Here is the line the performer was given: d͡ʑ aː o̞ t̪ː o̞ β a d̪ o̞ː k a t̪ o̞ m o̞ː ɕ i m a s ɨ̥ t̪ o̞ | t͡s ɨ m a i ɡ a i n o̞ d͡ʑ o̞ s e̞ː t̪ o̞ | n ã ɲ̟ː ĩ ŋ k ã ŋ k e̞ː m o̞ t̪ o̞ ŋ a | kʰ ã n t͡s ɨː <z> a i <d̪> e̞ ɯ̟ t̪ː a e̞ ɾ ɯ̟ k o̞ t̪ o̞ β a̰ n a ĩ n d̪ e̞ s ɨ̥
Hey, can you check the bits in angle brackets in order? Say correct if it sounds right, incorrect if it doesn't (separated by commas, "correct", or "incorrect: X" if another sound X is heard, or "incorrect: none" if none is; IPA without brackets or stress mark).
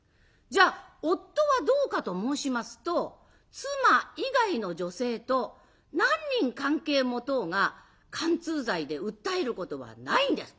correct, correct